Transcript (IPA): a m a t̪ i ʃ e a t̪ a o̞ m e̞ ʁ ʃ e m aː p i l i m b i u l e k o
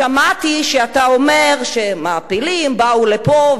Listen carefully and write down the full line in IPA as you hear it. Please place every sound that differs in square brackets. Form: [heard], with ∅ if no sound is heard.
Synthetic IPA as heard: a m a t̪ i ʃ e a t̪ a o̞ m e̞ ʁ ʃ e m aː p i l i m b [a] u l e [p] o